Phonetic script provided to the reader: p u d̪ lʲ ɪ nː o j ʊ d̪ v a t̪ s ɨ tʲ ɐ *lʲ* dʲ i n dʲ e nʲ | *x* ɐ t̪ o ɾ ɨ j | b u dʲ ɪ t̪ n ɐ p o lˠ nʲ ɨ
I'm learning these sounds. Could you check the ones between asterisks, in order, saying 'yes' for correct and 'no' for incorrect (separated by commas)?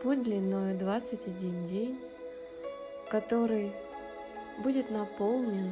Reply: no, no